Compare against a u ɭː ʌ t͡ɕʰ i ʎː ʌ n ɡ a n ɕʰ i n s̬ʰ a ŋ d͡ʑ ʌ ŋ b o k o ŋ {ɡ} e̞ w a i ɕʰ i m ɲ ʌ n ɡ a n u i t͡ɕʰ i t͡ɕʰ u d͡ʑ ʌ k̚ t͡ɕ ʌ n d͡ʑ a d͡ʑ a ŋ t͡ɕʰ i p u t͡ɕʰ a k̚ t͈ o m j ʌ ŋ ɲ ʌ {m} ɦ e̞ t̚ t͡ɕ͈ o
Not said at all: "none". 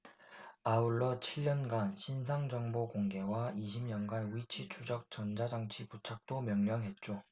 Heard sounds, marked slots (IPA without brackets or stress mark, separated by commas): ɡ, ŋ